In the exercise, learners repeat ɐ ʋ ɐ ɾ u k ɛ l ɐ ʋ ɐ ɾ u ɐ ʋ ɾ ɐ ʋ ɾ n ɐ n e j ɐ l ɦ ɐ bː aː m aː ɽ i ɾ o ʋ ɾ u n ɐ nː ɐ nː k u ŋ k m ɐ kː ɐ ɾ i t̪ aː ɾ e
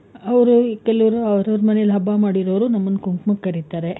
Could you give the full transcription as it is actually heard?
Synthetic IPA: ɐ ʋ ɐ ɾ u k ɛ l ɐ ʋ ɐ ɾ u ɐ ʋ ɾ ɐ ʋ ɾ m ɐ n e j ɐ l ɦ ɐ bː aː m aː ɽ i ɾ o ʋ ɾ u n ɐ mː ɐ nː k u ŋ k m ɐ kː ɐ ɾ i t̪ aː ɾ e